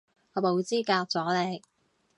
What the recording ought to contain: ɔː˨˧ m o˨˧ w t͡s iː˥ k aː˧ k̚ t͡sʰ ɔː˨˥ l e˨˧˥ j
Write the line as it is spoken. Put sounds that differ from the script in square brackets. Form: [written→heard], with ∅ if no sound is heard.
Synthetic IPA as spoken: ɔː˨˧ m o˨˧ w t͡s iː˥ k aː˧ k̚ [t͡sʰ→t͡s] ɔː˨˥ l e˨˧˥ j